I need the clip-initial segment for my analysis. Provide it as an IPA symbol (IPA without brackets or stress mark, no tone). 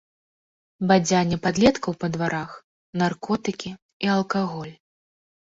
b